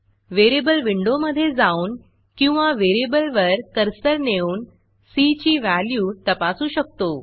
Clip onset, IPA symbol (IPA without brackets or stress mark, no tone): ʋ